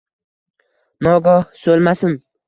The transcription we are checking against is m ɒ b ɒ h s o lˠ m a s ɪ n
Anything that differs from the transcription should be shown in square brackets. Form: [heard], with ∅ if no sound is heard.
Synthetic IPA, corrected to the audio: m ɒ [ɡ] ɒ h s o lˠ m a s ɪ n